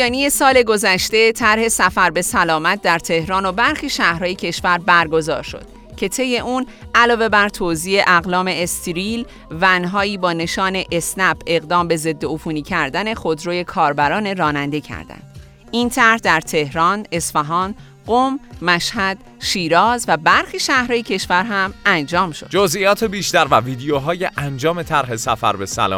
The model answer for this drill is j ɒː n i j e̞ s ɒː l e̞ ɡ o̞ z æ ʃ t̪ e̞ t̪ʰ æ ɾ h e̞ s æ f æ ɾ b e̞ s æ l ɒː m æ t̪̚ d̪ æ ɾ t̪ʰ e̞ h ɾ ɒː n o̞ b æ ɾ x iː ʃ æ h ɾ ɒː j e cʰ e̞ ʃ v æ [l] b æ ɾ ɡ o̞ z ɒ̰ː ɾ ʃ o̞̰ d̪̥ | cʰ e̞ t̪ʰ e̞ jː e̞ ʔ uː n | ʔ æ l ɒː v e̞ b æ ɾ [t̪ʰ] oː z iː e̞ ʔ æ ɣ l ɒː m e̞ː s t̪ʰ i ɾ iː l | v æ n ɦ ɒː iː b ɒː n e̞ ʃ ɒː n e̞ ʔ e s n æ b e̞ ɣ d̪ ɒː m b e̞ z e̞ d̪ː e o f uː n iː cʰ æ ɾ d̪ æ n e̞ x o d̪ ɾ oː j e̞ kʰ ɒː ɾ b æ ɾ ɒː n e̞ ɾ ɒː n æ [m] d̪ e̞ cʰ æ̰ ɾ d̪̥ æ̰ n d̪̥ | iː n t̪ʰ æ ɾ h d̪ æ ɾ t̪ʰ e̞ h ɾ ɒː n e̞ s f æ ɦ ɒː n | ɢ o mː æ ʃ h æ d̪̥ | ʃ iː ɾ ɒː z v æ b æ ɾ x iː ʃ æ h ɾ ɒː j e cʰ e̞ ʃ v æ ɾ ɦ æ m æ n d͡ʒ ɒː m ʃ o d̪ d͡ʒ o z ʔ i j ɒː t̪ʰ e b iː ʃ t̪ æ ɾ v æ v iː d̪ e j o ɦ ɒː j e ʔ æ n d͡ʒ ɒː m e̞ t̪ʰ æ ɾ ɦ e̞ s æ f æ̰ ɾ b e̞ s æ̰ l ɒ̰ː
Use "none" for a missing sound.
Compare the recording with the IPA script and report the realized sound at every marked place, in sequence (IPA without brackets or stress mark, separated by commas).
ɾ, t̪ʰ, n